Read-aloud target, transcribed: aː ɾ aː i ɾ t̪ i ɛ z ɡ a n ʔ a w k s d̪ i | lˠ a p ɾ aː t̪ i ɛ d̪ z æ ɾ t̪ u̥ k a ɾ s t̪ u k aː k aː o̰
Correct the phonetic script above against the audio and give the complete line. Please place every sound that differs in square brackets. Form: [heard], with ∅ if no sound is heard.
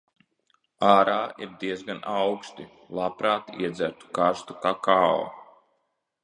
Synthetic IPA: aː ɾ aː i ɾ [d̪] i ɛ z ɡ a n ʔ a w k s [t̪] i | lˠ a p ɾ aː t̪ i ɛ d̪ z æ ɾ t̪ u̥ k a ɾ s t̪ u k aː k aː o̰